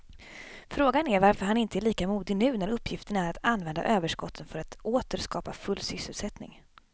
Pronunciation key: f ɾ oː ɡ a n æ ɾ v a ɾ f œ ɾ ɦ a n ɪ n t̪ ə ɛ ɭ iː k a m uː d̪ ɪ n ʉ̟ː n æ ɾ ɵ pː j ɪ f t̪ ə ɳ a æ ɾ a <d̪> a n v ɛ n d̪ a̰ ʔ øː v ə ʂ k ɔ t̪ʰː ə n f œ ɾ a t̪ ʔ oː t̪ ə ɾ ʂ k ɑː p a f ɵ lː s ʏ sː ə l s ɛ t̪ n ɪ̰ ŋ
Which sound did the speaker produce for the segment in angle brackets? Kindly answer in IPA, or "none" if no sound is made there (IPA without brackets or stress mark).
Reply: t̪